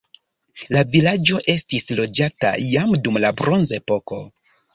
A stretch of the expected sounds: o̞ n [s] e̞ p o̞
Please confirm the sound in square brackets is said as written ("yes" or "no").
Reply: no